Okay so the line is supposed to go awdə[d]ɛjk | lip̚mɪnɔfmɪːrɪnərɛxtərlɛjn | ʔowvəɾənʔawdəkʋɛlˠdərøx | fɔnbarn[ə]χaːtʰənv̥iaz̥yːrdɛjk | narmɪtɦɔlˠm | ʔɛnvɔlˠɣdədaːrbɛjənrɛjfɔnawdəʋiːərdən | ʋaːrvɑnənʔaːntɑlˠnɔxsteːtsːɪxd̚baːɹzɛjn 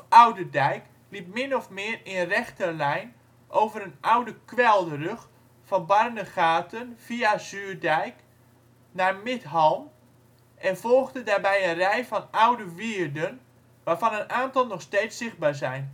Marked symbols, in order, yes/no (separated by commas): yes, yes